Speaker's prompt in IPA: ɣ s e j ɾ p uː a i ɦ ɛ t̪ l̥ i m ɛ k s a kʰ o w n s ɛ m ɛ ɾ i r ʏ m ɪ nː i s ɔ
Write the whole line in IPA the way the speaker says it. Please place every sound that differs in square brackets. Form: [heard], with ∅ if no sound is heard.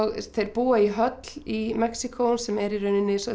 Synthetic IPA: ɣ [θ] e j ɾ p uː a i ɦ [œ] t̪ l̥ i m ɛ k s [i] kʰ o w n s ɛ m ɛ ɾ i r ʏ [n] ɪ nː [ɪ] s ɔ